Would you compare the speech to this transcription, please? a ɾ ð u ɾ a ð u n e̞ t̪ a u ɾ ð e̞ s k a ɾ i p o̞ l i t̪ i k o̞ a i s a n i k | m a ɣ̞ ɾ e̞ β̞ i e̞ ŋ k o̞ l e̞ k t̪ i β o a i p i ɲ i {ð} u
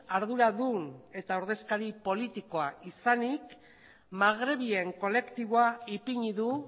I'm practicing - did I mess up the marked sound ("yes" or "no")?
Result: no